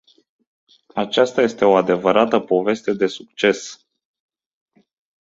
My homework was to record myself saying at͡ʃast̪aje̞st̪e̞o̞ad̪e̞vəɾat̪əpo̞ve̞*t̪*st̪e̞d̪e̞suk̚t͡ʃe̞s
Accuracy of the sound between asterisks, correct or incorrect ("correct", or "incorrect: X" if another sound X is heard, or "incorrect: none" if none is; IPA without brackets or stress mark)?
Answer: incorrect: none